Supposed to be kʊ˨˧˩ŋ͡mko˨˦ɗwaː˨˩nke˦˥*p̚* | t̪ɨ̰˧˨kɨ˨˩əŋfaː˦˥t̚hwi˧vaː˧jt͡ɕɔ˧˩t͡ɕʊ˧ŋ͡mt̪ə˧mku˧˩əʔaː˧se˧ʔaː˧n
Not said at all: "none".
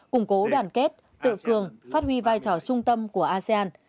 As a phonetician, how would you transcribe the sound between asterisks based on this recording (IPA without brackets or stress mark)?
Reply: t̚